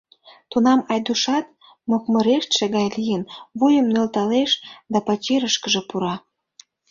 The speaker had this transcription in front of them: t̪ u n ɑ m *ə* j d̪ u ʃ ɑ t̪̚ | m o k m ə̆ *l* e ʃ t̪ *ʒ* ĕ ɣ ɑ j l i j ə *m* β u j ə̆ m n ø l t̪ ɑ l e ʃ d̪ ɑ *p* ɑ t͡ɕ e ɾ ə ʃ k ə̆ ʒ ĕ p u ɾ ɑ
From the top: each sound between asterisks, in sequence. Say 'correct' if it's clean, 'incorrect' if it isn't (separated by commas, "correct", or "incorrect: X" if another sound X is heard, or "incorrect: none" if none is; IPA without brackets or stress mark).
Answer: incorrect: ɑ, incorrect: ɾ, incorrect: ʃ, incorrect: n, correct